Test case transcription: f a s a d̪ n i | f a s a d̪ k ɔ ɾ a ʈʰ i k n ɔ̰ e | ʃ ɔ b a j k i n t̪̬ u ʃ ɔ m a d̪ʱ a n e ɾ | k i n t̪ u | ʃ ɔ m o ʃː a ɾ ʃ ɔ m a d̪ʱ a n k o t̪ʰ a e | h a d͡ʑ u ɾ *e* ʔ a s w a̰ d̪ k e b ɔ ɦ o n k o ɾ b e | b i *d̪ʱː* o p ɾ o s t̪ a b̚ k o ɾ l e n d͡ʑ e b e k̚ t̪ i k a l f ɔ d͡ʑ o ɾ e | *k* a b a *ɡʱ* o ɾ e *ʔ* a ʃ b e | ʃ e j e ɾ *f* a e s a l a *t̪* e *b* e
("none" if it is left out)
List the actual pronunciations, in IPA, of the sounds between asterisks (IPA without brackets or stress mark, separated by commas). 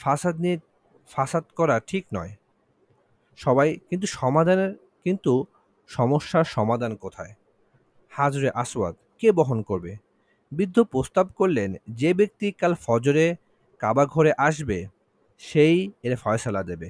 e, d̪ʱː, k, ɡʱ, ʔ, f, d̪, b